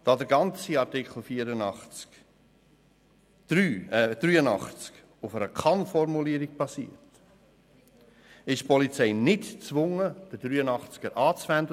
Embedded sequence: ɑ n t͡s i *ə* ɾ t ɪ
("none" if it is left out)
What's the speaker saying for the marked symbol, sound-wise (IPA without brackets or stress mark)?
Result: ɑ